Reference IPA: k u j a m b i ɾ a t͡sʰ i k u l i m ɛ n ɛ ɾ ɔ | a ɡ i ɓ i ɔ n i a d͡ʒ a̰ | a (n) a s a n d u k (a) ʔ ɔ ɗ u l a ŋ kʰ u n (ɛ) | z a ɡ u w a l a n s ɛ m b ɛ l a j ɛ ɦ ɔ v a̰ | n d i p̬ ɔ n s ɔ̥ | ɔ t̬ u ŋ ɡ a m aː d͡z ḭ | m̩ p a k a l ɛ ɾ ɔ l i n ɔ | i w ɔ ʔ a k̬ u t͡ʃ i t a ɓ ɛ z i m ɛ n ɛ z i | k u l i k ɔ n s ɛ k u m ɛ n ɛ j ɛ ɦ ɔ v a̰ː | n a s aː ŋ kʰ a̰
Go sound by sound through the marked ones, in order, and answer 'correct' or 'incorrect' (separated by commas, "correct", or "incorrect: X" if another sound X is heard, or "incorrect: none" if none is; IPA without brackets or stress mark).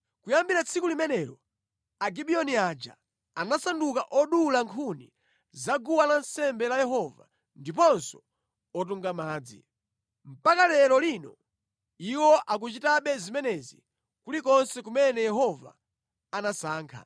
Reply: correct, correct, incorrect: i